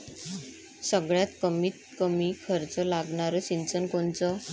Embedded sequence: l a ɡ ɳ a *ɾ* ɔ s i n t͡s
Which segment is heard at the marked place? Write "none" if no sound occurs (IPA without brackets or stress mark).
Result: ɾ